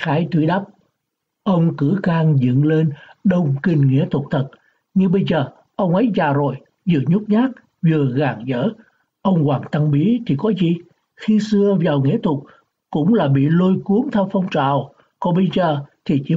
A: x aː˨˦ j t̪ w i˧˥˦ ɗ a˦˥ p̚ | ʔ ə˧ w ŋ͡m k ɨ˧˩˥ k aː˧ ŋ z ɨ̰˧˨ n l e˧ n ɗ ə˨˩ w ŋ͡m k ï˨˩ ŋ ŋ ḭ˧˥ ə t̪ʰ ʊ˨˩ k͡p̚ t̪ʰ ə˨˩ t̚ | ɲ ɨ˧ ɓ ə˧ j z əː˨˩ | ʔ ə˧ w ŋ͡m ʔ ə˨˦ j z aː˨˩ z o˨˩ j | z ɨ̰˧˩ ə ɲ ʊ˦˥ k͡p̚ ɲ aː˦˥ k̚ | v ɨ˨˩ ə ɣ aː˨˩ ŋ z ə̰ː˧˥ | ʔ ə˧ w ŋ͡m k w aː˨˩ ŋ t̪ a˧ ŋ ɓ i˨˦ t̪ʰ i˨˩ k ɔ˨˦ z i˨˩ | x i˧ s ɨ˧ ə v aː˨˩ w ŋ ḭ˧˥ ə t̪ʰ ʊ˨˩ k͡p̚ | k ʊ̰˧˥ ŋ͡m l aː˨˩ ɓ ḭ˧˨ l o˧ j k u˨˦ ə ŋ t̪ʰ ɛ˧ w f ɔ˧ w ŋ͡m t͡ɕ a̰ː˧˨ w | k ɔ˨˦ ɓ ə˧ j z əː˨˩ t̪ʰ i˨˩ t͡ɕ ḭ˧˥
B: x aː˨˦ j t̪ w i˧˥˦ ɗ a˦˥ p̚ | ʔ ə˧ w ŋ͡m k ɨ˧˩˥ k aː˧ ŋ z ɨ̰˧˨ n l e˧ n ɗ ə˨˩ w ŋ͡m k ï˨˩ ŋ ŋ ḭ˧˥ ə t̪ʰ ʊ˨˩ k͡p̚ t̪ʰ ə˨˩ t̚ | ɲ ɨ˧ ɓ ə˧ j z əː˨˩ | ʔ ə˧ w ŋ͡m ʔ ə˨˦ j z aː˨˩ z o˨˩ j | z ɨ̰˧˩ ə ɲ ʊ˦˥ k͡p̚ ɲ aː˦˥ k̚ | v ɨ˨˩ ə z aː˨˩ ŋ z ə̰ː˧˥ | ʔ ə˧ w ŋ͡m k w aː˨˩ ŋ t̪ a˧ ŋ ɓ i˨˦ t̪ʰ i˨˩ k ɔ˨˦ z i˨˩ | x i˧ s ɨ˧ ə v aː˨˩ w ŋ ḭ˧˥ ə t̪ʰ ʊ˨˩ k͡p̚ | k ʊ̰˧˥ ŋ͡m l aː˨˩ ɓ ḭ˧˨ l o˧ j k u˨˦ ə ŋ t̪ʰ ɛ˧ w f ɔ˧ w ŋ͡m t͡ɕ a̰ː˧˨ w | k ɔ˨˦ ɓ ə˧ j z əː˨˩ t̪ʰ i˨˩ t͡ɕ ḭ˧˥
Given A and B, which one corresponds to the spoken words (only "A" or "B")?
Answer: A